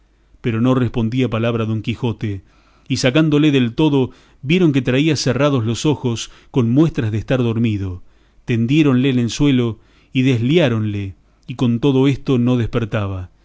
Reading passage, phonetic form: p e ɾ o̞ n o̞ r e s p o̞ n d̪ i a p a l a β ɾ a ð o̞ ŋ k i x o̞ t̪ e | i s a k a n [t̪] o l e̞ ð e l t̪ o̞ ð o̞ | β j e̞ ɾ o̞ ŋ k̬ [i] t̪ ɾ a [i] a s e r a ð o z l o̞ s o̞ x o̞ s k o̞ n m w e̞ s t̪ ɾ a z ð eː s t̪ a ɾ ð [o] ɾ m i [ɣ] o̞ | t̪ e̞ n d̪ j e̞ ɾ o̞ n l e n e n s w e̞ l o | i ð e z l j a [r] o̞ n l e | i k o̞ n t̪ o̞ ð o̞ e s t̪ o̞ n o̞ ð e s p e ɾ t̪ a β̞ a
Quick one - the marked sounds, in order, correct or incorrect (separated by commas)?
incorrect, incorrect, correct, correct, incorrect, incorrect